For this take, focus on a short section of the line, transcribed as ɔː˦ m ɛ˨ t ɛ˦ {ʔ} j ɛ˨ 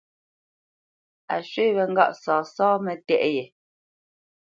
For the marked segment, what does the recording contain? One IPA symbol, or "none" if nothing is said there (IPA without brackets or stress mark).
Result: ʔ